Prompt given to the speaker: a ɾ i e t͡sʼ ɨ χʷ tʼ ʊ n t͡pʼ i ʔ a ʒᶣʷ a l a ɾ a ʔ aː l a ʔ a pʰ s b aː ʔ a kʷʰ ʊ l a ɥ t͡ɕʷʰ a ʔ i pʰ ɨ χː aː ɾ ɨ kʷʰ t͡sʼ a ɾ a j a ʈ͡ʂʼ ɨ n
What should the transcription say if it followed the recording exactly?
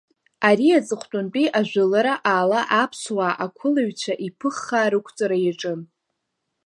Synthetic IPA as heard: a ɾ i a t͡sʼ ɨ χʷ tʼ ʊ n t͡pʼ i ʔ a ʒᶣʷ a l a ɾ a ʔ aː l a ʔ a pʰ s w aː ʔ a kʷʰ ʊ l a ɥ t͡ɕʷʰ a ʔ i pʰ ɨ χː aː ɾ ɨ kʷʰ t͡sʼ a ɾ a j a ʈ͡ʂʼ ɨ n